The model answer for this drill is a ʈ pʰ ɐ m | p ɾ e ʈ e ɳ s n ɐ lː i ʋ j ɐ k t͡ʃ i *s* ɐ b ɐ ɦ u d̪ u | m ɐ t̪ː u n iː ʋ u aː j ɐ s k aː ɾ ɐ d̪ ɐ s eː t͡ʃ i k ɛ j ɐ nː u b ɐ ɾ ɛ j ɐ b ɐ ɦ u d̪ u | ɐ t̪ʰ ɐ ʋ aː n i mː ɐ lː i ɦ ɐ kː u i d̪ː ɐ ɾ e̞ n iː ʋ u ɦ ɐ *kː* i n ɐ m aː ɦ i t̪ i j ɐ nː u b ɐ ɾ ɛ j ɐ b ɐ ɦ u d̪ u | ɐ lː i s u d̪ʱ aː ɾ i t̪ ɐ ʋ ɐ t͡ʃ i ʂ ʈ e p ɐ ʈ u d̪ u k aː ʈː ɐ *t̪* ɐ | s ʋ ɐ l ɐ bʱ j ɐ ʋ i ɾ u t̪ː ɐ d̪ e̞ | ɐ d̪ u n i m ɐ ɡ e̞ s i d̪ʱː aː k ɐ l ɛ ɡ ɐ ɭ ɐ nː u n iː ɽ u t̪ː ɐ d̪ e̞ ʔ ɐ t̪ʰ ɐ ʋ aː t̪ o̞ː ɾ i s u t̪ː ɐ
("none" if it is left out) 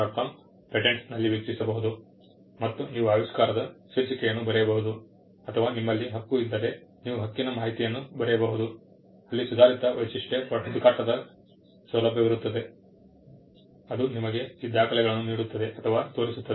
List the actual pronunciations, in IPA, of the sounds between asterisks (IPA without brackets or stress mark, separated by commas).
s, kː, d̪